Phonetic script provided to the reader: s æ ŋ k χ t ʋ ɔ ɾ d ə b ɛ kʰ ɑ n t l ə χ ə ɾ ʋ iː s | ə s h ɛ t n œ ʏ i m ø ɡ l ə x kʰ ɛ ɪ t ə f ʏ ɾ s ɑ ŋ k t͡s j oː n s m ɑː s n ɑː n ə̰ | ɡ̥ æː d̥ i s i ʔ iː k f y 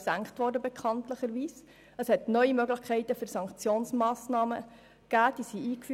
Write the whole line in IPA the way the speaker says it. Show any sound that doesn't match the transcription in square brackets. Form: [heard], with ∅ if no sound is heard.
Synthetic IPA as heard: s æ ŋ k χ t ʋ ɔ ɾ d ə b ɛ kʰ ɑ n t l ə χ ə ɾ ʋ iː s | ə s h ɛ t n œ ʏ i m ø ɡ l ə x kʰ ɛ ɪ t ə f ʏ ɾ s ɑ ŋ k t͡s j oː n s m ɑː s n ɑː [m] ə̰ | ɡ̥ æː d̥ i s i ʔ iː k f y